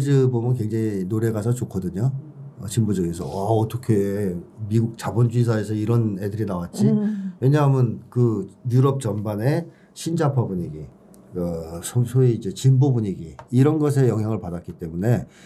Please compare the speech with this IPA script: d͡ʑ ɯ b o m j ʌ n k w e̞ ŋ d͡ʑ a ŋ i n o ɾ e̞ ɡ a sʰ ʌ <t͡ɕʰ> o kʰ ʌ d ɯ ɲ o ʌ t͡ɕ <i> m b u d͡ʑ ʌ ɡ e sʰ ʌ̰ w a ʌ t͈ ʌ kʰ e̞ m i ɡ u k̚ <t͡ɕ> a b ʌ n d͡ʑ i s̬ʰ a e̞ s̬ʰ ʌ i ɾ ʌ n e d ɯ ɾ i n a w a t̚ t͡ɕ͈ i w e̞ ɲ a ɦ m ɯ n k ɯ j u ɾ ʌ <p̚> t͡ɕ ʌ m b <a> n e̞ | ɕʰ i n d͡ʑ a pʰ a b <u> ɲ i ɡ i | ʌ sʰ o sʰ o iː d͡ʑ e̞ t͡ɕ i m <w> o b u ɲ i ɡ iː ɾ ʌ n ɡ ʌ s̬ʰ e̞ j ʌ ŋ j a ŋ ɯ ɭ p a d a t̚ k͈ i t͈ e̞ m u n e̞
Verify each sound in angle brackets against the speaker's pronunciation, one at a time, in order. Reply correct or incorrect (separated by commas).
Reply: incorrect, correct, correct, correct, correct, correct, incorrect